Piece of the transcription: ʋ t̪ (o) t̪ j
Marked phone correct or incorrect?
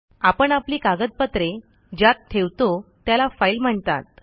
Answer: correct